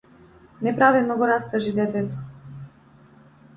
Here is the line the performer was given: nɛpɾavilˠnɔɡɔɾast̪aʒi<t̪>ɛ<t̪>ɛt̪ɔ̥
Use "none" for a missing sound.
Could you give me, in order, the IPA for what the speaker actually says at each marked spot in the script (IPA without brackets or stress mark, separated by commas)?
d̪, t̪